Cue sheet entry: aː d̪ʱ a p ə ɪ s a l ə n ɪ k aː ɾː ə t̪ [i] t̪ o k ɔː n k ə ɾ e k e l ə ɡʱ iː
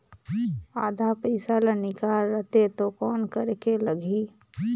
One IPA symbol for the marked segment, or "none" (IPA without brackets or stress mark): e